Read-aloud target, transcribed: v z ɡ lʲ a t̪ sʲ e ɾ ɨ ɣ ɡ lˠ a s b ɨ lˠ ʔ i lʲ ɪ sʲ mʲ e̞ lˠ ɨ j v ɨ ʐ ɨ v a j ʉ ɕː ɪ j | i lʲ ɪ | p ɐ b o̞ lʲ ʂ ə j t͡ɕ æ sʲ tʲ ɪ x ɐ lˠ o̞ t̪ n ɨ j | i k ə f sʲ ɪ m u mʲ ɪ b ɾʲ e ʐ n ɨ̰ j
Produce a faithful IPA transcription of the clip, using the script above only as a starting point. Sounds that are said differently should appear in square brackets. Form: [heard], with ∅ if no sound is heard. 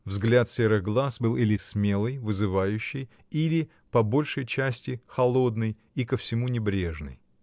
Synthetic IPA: v z ɡ lʲ a t̪ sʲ e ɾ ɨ ɣ ɡ lˠ a s b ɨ lˠ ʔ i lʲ ɪ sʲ mʲ e̞ lˠ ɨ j v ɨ [z] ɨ v a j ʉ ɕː ɪ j | i lʲ ɪ | p ɐ b o̞ lʲ ʂ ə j t͡ɕ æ sʲ tʲ ɪ x ɐ lˠ o̞ [d̪] n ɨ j | i k ə f sʲ ɪ m u [nʲ] ɪ b ɾʲ e ʐ n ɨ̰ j

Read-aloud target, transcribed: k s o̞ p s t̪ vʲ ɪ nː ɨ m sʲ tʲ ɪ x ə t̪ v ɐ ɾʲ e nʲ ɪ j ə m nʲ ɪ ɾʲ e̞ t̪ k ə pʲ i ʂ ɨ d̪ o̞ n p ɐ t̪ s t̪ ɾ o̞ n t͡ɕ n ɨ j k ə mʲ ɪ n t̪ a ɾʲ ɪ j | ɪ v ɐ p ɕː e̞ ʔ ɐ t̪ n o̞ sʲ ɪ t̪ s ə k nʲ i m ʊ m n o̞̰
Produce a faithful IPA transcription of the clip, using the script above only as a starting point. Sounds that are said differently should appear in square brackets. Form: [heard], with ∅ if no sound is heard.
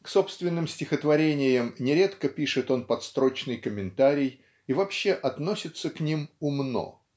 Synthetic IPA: k s o̞ p s t̪ vʲ ɪ nː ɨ m sʲ tʲ ɪ x ə t̪ v ɐ ɾʲ e nʲ ɪ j ə m nʲ ɪ ɾʲ e̞ t̪ k ə pʲ i ʂ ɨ [t̪] o̞ n p ɐ t̪ s t̪ ɾ o̞ [∅] t͡ɕ n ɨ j k ə mʲ ɪ n t̪ a ɾʲ ɪ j | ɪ v ɐ p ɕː e̞ ʔ ɐ t̪ n o̞ sʲ ɪ t̪ s ə k nʲ i m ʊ m n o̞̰

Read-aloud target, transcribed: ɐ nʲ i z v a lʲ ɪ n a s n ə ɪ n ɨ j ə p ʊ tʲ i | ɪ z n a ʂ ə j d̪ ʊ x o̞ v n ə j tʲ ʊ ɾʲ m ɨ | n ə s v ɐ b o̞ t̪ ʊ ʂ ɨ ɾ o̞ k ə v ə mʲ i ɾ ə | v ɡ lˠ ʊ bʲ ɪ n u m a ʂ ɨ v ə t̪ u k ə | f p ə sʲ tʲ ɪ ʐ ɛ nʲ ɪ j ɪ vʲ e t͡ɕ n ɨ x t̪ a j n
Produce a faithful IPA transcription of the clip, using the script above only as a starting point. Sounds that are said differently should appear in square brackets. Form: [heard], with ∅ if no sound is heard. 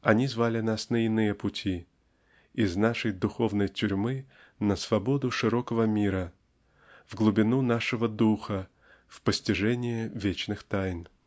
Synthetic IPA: ɐ nʲ i z v a lʲ ɪ n a s n ə ɪ n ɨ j ə p ʊ tʲ i | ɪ z n a ʂ ə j d̪ ʊ x o̞ v n ə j tʲ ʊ ɾʲ m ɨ | n ə s v ɐ b o̞ [d̪] ʊ ʂ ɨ ɾ o̞ k ə v ə mʲ i ɾ ə | v ɡ lˠ ʊ bʲ ɪ n u [n] a ʂ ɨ v ə [d̪] u [x] ə | f p ə sʲ tʲ ɪ ʐ ɛ nʲ ɪ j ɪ vʲ e t͡ɕ n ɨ x t̪ a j n

